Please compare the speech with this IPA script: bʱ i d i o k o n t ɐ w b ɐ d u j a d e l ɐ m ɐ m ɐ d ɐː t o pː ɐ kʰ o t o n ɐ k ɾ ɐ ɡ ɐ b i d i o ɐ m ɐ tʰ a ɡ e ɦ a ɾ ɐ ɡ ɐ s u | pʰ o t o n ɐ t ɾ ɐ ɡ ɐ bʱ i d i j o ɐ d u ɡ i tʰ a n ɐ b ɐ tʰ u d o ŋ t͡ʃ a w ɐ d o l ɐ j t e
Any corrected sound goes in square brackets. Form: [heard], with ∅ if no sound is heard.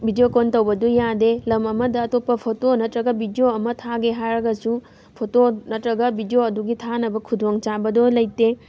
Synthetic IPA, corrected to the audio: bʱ i d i o k o n t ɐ w b ɐ d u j a d e l ɐ m ɐ m ɐ d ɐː t o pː ɐ [pʰ] o t o n ɐ [t] ɾ ɐ ɡ ɐ b i d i o ɐ m ɐ tʰ a ɡ e ɦ a ɾ ɐ ɡ ɐ s u | pʰ o t o n ɐ t ɾ ɐ ɡ ɐ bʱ i d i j o ɐ d u ɡ i tʰ a n ɐ b ɐ [kʰ] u d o ŋ t͡ʃ a [b] ɐ d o l ɐ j t e